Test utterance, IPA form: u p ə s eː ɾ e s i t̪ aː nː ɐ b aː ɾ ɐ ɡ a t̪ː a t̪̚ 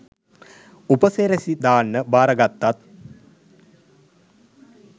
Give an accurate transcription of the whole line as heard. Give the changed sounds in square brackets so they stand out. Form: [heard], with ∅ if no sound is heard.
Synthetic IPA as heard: u p ə s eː ɾ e s i [d̪] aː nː [ə] b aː ɾ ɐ ɡ a t̪ː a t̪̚